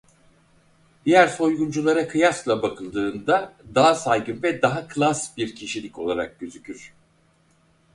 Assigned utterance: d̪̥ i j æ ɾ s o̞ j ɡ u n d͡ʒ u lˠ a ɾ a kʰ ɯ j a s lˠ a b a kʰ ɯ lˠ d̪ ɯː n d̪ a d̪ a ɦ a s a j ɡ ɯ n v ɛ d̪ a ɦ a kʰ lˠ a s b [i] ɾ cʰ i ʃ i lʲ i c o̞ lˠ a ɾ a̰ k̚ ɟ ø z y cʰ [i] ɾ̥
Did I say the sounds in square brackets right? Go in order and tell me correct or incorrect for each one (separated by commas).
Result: correct, incorrect